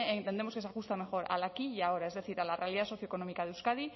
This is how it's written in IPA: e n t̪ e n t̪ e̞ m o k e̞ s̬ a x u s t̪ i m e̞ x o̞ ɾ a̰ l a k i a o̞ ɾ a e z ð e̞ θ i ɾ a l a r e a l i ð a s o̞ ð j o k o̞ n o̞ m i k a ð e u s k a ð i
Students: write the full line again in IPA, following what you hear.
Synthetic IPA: e n t̪ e n d̪ e̞ m o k e̞ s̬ a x u s t̪ a m e̞ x o̞ ɾ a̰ l a k i a o̞ ɾ a e z ð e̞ θ i ɾ a l a r e a l i ð a s o̞ θ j o k o̞ n o̞ m i k a ð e u s k a ð i